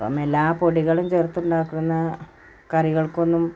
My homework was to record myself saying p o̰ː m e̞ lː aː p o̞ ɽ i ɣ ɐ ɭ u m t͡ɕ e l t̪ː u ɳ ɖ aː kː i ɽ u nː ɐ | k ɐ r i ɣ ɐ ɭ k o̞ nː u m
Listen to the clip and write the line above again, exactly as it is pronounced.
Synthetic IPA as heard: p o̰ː m e̞ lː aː p o̞ ɽ i ɣ ɐ ɭ u m t͡ɕ e r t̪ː u ɳ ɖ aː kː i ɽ u nː ɐ | k ɐ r i ɣ ɐ ɭ k o̞ nː u m

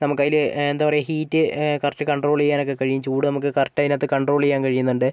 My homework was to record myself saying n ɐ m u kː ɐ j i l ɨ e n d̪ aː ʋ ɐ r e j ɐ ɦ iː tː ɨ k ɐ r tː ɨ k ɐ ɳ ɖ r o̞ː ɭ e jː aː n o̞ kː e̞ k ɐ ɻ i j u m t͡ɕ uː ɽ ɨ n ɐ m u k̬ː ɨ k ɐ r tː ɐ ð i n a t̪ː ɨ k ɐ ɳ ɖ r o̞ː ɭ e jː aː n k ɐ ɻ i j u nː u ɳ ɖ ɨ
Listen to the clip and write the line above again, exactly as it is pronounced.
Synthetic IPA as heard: n ɐ m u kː ɐ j i l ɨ e n d̪ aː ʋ ɐ r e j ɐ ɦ iː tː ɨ k ɐ r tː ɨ k ɐ ɳ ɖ r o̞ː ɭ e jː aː n o̞ kː e̞ k ɐ ɻ i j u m t͡ɕ uː ɽ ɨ n ɐ m u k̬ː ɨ k ɐ r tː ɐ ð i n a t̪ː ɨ k ɐ ɳ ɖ r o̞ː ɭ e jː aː n k ɐ ɻ i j u nː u ɳ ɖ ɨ

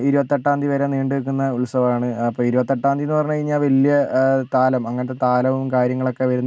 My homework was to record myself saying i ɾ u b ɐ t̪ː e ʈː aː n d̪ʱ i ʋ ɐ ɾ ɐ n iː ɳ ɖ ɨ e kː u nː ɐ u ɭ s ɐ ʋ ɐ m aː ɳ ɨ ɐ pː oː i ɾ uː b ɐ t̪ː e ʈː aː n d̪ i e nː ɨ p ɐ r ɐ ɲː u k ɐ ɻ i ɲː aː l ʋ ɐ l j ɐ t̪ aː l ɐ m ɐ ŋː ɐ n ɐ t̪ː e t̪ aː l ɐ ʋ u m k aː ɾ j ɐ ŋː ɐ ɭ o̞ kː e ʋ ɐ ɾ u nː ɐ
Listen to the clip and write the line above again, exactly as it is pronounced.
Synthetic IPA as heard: i ɾ u b ɐ t̪ː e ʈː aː n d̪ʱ i ʋ ɐ ɾ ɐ n iː ɳ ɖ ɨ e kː u nː ɐ u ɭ s ɐ ʋ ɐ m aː ɳ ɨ ɐ pː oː i ɾ u b ɐ t̪ː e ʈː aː n d̪ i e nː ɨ p ɐ r ɐ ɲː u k ɐ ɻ i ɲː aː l ʋ ɐ l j ɐ t̪ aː l ɐ m ɐ ŋː ɐ n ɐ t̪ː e t̪ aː l ɐ ʋ u m k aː ɾ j ɐ ŋː ɐ ɭ o̞ kː e ʋ ɐ ɾ u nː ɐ

